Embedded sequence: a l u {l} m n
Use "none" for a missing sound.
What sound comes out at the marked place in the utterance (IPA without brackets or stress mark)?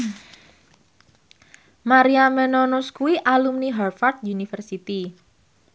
none